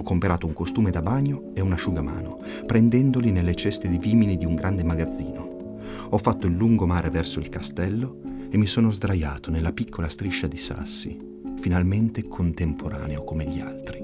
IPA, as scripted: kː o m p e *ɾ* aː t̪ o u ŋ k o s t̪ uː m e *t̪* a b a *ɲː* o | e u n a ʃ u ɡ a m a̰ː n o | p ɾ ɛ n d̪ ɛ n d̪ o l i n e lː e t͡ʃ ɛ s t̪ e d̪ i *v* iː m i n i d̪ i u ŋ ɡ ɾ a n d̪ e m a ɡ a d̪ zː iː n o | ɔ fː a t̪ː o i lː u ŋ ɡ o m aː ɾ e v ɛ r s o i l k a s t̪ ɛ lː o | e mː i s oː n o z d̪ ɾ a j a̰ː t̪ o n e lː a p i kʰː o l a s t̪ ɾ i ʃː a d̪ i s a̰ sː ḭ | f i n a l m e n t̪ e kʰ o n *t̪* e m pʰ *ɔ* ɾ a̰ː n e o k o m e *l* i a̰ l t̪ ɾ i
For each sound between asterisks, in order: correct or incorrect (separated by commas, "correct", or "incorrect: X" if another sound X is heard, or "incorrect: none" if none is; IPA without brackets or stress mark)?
correct, incorrect: d̪, correct, correct, correct, incorrect: o, incorrect: ʎ